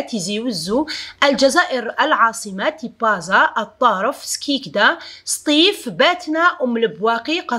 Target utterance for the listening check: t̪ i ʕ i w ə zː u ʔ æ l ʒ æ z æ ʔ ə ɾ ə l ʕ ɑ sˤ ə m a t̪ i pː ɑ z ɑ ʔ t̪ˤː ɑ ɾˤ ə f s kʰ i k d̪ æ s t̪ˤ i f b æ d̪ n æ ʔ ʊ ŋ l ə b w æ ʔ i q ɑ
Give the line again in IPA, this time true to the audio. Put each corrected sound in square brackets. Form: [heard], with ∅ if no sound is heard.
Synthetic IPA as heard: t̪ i [z] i w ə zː u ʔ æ l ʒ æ z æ ʔ ə ɾ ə l ʕ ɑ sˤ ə m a t̪ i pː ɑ z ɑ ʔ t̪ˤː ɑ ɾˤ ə f s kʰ i k d̪ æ s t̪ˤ i f b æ [t̪] n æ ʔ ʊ [m] l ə b w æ [q] i q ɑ